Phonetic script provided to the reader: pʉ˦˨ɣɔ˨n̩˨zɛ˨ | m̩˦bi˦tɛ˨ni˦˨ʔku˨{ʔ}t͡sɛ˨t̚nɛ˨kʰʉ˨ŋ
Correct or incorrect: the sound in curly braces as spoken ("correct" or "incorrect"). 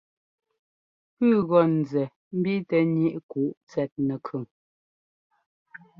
correct